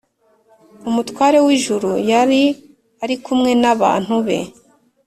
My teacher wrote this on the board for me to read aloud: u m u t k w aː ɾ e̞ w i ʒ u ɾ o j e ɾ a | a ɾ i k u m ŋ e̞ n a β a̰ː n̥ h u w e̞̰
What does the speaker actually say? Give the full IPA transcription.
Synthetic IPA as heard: u m u t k w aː ɾ e̞ w i ʒ u ɾ u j a ɾ i | a ɾ i k u m ŋ e̞ n a β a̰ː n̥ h u β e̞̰